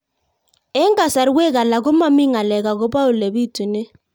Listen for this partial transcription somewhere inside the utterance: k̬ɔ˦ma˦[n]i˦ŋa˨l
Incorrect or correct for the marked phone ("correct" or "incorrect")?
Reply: incorrect